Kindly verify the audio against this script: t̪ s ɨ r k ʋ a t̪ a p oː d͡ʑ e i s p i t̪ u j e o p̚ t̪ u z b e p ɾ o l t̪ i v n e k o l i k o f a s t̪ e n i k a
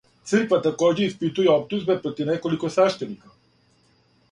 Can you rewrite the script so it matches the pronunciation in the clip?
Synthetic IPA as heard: t̪ s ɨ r k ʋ a t̪ a k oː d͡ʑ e i s p i t̪ u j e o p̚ t̪ u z b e p ɾ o t̪ i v n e k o l i k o s a ʃ t̪ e n i k a